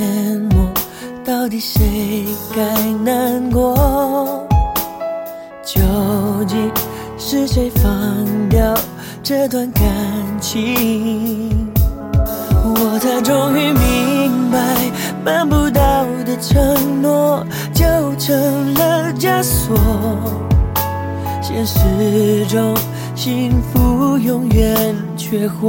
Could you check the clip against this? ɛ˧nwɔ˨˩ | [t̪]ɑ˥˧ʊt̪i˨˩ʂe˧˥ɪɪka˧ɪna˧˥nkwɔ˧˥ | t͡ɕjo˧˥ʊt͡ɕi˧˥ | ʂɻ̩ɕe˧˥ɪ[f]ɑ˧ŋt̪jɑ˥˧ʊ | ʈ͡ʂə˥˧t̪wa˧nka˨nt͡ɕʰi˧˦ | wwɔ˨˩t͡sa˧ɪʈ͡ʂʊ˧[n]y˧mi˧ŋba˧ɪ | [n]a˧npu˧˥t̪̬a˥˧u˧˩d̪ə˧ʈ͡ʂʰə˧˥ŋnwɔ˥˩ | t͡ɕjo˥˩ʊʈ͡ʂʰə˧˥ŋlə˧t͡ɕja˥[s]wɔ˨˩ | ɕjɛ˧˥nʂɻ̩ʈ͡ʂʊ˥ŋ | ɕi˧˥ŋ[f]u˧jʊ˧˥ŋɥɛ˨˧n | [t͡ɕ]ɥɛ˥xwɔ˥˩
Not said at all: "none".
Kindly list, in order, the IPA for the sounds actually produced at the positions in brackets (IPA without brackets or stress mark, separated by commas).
t̪, f, ŋ, m, s, f, t͡ɕʰ